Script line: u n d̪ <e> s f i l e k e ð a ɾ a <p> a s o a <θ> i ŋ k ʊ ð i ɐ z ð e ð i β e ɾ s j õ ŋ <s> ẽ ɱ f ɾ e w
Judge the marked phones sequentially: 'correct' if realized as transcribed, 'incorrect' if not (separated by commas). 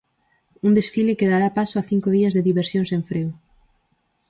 correct, correct, correct, correct